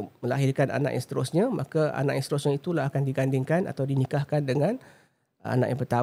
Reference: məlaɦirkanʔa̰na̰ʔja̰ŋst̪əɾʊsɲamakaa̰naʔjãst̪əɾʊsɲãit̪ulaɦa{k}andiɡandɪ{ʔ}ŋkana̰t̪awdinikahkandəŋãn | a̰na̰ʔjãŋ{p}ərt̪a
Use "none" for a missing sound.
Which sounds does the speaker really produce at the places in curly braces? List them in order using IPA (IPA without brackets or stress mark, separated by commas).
k, none, p